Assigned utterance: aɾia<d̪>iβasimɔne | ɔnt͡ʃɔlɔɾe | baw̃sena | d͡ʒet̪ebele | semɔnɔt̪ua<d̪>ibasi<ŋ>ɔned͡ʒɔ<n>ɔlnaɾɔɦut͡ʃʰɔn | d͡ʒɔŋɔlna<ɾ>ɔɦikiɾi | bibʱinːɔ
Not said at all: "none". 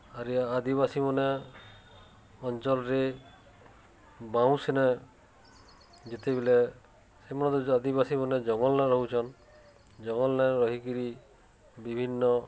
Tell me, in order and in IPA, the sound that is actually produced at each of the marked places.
d̪, d̪, m, ŋ, ɾ

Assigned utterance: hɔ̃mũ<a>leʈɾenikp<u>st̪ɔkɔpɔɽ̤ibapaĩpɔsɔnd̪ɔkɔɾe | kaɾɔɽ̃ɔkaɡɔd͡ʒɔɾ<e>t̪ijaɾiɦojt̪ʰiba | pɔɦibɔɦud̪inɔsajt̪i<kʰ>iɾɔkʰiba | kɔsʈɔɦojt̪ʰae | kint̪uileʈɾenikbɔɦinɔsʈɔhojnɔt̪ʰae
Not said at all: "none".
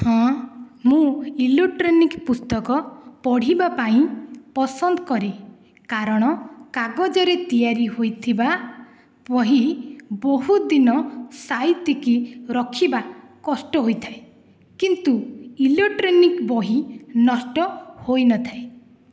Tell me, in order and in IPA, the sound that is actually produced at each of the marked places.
i, u, e, k

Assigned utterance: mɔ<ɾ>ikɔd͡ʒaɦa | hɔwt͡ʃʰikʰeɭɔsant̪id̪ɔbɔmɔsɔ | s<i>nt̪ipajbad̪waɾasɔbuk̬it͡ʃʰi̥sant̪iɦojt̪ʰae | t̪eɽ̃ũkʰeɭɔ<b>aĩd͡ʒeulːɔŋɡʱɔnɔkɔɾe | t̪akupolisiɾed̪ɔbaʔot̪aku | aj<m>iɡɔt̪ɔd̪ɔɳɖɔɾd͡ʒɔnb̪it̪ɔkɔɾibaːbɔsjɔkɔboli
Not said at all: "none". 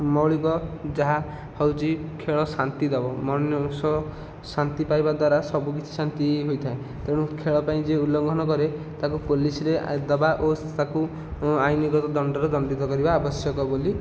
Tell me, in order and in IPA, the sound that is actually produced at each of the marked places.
ɭ, a, p, n

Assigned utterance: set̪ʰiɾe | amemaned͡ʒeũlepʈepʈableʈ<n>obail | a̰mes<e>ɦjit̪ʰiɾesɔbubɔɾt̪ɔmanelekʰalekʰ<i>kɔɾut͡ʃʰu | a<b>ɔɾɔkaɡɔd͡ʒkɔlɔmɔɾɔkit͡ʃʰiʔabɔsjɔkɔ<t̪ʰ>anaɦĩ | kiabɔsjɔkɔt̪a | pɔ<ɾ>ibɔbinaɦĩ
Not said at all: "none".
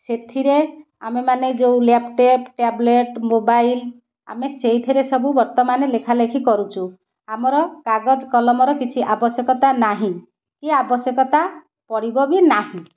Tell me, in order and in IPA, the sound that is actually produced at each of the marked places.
m, e, i, m, t̪, ɽ

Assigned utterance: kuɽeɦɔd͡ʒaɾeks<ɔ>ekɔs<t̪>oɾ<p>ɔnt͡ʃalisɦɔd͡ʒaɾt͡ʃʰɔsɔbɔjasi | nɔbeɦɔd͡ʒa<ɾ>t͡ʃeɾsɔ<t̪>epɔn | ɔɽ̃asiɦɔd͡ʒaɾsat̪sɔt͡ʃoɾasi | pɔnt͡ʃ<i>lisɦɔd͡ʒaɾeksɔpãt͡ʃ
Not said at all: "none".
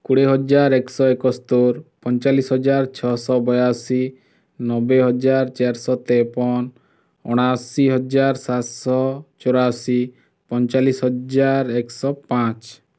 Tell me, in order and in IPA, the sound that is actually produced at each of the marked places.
ɔ, t̪, p, ɾ, t̪, a

